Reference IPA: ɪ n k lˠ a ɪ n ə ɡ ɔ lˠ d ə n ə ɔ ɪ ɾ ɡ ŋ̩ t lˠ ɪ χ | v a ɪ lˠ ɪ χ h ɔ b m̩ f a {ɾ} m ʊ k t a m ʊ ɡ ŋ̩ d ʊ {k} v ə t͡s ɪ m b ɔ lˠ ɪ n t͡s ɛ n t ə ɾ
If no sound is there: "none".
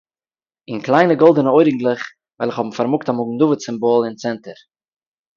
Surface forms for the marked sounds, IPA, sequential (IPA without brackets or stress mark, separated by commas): ɾ, none